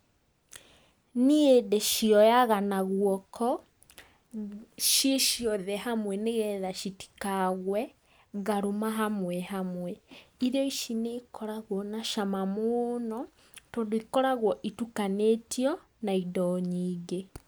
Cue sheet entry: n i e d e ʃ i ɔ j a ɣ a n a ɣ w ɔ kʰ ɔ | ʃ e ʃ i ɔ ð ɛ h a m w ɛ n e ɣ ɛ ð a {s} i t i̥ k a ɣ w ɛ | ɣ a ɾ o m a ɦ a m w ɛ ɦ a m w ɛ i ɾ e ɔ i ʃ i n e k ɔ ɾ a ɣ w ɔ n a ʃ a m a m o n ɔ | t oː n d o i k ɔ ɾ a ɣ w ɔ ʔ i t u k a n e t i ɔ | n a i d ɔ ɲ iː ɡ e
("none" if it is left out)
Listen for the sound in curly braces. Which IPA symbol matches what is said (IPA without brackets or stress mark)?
ʃ